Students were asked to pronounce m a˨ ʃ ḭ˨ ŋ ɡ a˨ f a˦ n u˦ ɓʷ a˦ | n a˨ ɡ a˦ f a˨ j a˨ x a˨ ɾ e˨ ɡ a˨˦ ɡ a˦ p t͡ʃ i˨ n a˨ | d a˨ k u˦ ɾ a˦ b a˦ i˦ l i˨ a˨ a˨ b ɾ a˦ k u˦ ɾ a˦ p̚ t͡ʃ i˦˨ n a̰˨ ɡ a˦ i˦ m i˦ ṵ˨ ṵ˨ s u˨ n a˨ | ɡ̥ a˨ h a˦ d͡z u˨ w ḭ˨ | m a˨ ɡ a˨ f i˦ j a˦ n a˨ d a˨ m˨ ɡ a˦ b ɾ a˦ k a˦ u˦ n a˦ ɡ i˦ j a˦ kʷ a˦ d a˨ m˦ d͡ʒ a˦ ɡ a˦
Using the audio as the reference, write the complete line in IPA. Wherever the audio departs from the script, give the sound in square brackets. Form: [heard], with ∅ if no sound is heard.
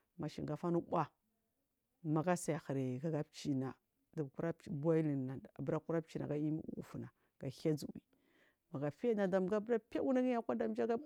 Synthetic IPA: m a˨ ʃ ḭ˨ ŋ ɡ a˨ f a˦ n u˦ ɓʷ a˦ | [m] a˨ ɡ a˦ [s] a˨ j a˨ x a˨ ɾ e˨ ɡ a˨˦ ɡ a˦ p t͡ʃ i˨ n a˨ | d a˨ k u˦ ɾ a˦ b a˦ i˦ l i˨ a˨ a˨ b ɾ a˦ k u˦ ɾ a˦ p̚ t͡ʃ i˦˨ n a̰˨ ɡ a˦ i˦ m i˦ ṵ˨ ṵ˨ [f] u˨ n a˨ | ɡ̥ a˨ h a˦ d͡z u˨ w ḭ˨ | m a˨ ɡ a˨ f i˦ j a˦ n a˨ d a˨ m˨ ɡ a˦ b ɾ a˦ [p] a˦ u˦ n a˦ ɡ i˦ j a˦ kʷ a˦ d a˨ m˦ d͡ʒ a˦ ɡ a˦